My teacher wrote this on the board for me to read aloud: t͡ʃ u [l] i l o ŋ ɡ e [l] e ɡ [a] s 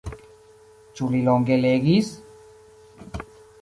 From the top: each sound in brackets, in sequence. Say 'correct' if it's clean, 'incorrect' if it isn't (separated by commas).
correct, correct, incorrect